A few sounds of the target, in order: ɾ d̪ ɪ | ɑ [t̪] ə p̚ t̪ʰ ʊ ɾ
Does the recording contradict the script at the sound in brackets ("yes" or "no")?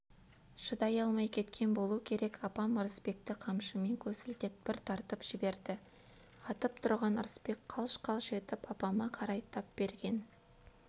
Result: no